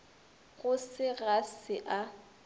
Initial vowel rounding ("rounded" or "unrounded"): rounded